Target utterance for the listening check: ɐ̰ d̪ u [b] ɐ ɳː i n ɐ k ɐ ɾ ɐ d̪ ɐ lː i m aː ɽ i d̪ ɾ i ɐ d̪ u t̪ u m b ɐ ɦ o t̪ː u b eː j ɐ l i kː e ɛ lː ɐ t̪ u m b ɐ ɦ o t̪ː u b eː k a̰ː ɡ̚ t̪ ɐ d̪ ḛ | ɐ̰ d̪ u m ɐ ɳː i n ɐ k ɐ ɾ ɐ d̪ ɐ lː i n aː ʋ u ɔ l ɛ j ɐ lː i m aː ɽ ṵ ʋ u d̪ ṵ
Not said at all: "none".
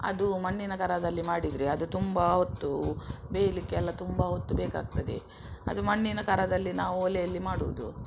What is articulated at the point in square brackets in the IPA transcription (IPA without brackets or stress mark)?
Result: m